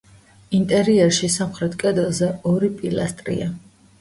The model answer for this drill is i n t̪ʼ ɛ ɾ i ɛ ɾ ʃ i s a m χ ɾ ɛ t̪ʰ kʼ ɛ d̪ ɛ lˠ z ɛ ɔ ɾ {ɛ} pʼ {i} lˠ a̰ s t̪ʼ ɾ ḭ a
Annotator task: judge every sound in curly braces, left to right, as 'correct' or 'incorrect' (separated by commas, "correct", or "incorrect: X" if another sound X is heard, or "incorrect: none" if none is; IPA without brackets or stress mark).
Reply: incorrect: i, correct